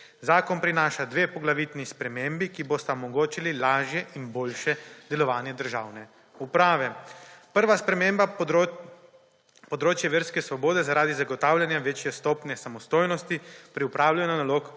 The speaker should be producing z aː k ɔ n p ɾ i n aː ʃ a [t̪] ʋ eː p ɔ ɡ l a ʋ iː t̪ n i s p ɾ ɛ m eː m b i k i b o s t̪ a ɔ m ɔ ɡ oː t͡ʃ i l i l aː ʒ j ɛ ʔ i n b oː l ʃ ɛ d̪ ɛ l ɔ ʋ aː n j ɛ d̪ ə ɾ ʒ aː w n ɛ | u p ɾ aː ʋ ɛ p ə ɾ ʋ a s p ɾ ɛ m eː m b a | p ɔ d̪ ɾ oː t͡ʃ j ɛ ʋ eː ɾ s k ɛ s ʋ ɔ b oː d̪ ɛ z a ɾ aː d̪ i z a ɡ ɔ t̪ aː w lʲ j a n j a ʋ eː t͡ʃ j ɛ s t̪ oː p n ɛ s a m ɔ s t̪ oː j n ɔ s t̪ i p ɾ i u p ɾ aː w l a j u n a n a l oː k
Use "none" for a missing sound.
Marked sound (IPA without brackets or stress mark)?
d̪